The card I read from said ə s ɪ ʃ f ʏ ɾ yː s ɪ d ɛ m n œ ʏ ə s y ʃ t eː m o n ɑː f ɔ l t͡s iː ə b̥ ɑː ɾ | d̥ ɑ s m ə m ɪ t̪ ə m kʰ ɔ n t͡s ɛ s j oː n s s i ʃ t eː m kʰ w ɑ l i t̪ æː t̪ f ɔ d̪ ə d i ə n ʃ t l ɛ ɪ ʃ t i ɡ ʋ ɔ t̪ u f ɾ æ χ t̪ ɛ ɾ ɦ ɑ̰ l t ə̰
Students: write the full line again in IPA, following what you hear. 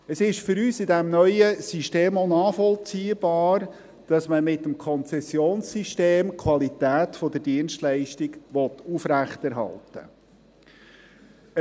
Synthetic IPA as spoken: ə s ɪ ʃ f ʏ ɾ yː s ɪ d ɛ m n œ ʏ ə s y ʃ t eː m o n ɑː f ɔ l t͡s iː ə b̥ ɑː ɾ | d̥ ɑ s m ə m ɪ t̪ ə m kʰ ɔ n t͡s ɛ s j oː n s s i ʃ t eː m kʰ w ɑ l i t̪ æː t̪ f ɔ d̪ ə d i ə n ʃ t l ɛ ɪ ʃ t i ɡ ʋ ɔ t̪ u f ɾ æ χ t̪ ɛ ɾ ɦ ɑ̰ l t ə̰